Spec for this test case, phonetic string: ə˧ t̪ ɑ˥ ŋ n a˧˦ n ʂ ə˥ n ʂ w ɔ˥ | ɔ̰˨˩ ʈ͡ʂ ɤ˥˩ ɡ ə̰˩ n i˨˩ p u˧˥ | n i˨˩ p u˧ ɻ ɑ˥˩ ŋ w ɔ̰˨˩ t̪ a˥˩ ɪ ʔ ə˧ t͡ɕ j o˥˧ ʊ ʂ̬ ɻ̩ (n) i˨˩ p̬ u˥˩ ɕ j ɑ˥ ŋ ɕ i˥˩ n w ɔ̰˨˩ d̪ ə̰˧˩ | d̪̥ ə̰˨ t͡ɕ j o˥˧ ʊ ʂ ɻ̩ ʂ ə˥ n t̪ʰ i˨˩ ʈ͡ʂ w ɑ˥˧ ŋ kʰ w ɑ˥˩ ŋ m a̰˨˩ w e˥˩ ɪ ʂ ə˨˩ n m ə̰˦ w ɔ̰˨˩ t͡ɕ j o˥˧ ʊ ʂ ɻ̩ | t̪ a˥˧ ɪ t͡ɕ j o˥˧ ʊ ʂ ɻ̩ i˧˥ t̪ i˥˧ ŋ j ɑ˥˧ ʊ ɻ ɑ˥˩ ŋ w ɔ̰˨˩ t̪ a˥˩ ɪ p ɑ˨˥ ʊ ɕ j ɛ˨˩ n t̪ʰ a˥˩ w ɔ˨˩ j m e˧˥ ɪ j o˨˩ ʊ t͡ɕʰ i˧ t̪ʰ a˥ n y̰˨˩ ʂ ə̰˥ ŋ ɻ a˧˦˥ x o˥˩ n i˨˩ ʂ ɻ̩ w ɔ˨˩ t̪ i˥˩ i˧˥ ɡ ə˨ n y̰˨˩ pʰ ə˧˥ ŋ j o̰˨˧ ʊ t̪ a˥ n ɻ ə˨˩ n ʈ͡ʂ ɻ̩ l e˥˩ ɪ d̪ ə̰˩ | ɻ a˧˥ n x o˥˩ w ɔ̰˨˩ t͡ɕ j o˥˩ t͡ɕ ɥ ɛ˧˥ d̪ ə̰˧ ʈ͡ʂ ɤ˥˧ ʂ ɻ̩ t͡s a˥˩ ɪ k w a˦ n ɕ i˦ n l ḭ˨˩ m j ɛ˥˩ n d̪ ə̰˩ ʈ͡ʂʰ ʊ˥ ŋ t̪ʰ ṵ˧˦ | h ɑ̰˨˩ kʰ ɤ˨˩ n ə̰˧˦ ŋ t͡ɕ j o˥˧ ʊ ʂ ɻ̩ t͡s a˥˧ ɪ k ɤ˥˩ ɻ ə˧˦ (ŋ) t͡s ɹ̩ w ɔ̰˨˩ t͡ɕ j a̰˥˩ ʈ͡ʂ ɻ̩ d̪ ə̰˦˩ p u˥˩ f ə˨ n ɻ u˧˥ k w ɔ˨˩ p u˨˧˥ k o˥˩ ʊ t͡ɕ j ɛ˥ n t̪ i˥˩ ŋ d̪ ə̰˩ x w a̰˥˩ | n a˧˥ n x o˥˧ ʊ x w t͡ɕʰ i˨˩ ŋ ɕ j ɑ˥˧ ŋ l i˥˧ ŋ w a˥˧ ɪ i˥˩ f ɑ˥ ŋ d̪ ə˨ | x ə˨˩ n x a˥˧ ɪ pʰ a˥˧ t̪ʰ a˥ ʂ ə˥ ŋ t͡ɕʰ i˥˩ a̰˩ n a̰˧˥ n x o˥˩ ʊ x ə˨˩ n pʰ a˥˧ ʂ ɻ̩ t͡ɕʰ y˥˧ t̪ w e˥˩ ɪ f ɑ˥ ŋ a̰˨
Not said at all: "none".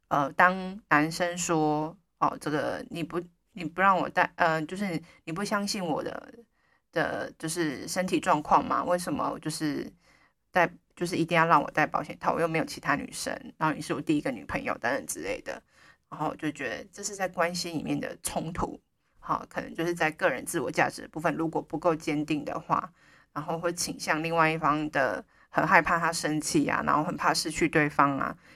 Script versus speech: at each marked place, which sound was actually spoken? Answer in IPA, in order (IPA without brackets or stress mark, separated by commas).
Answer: n, n